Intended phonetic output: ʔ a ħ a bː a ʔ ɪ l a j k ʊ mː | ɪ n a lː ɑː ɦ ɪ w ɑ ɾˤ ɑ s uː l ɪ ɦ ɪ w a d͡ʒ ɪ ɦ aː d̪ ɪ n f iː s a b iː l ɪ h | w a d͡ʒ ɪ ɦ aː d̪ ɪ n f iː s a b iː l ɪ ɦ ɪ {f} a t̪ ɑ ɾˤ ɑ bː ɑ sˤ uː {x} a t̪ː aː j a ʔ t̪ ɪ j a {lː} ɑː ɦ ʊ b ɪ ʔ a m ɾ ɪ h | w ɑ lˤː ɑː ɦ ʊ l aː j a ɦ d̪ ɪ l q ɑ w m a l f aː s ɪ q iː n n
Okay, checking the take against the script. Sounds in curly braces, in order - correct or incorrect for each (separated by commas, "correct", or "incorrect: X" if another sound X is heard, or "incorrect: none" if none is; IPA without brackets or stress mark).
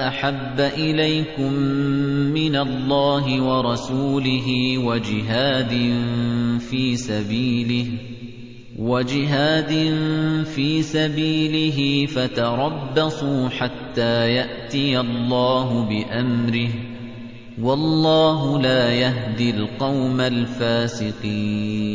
correct, incorrect: ħ, correct